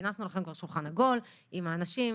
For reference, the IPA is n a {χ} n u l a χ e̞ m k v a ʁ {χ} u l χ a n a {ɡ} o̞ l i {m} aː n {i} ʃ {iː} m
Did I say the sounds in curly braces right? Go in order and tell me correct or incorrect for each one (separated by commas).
incorrect, incorrect, correct, correct, incorrect, incorrect